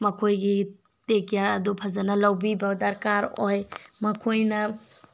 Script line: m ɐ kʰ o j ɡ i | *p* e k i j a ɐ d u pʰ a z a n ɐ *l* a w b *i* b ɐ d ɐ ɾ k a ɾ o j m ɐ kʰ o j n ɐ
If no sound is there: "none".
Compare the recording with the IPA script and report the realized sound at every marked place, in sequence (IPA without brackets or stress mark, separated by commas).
t, l, i